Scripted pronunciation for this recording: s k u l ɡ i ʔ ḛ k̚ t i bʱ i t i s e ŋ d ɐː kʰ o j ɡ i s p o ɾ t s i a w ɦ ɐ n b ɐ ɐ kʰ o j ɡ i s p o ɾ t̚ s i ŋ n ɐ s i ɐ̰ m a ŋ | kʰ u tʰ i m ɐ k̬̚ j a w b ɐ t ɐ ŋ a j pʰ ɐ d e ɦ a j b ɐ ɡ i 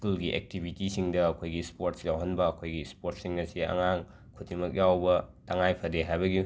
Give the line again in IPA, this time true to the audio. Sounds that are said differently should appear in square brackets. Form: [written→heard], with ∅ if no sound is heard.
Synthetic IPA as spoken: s k u l ɡ i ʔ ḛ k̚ t i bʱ i t i s [e→i] ŋ d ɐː kʰ o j ɡ i s p o ɾ t s [i→j] a w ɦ ɐ n b ɐ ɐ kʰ o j ɡ i s p o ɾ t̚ s i ŋ n ɐ s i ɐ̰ [m→ŋ] a ŋ | kʰ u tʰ i m ɐ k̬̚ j a w b ɐ t ɐ ŋ a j pʰ ɐ d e ɦ a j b ɐ ɡ i